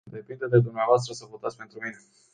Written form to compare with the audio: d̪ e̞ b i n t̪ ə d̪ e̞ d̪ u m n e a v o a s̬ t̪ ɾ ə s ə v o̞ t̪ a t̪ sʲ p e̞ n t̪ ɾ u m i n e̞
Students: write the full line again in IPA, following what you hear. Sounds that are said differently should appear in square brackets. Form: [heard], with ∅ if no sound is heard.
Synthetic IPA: d̪ e̞ [p] i n [d̪] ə d̪ e̞ d̪ u m n e a v o a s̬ t̪ ɾ ə s ə v o̞ t̪ a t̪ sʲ p e̞ n t̪ ɾ u m i n e̞